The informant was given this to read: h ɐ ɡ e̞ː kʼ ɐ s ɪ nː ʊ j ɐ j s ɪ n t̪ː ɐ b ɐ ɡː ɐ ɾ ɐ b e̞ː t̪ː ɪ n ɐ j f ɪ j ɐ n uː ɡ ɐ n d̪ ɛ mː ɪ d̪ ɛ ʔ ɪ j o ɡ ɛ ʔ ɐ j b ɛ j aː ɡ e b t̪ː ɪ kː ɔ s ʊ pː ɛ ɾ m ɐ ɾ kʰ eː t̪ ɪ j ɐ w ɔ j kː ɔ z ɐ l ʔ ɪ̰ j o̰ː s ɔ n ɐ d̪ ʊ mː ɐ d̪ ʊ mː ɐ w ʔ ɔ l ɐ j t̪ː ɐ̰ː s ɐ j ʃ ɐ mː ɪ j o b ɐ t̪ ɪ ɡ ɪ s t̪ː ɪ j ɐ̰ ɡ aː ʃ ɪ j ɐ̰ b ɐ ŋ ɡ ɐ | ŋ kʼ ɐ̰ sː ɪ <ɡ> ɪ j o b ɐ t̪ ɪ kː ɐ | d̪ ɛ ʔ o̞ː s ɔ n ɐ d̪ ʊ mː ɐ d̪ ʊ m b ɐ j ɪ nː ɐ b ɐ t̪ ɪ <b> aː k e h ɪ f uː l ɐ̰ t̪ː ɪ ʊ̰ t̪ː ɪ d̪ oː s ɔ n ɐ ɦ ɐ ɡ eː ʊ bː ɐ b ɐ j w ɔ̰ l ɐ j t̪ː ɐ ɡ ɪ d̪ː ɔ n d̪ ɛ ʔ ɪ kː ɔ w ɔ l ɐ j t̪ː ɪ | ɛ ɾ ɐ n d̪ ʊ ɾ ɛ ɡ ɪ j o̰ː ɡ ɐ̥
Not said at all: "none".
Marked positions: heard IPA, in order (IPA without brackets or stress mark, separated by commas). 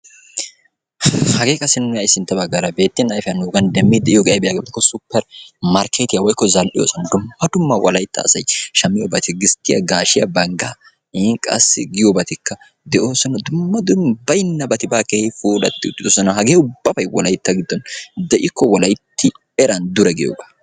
ɡ, b